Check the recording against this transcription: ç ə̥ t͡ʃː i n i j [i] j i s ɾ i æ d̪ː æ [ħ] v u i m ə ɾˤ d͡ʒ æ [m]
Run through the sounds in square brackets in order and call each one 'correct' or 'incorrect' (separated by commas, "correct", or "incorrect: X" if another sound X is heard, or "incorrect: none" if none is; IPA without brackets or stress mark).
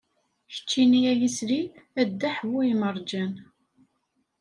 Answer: incorrect: æ, correct, incorrect: n